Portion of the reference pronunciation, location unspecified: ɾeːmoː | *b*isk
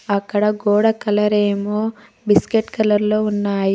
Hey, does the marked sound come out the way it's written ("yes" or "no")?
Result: yes